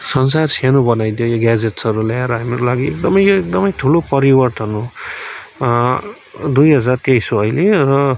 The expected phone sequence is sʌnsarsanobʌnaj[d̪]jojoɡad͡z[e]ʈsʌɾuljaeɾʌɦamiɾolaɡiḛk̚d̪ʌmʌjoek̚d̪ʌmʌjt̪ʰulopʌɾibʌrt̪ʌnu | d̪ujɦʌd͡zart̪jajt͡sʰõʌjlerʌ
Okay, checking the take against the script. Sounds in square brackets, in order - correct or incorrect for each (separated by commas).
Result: correct, correct